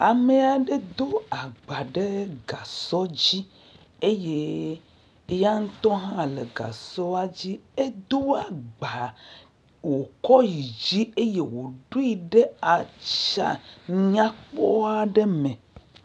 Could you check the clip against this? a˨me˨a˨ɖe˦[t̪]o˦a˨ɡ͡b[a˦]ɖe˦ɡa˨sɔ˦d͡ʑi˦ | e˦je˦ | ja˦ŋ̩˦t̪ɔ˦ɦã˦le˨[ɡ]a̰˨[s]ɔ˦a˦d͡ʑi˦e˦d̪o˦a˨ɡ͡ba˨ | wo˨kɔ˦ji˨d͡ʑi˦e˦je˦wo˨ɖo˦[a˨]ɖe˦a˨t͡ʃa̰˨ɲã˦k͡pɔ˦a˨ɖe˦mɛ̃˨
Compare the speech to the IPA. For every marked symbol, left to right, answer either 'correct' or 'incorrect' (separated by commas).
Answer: incorrect, incorrect, correct, correct, incorrect